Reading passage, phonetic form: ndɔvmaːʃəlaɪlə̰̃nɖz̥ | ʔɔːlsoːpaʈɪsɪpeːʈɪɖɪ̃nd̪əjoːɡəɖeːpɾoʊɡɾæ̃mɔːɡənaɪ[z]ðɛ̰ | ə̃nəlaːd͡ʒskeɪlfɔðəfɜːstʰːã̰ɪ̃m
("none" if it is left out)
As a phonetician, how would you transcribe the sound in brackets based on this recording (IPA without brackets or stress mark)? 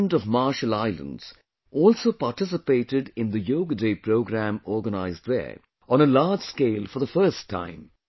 z